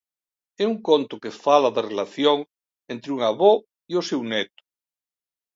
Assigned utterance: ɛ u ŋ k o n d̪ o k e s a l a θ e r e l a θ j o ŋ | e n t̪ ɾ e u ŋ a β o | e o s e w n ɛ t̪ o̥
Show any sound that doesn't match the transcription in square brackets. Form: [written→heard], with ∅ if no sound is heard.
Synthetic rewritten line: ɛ u ŋ k o n [d̪→t̪] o k e [s→f] a l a [θ→ð] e r e l a θ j o ŋ | e n t̪ ɾ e u ŋ a β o | [e→i] o s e w n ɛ t̪ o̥